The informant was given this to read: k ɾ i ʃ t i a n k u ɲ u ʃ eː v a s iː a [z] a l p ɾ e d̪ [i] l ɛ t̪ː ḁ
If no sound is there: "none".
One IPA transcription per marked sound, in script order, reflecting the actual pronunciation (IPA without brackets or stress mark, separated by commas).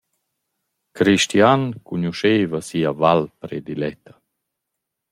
v, i